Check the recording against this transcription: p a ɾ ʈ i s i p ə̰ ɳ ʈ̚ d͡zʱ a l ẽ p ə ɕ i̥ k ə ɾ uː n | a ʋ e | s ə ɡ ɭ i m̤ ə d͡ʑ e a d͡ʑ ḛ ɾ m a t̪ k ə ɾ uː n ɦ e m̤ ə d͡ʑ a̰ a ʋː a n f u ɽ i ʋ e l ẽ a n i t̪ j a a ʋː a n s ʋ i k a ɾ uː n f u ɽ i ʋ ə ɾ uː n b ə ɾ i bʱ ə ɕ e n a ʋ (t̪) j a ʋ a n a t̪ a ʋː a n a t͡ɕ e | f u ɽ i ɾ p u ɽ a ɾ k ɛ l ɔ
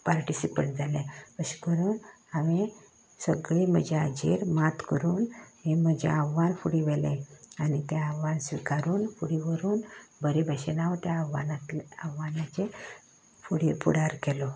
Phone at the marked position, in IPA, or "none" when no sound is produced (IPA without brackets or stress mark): t̪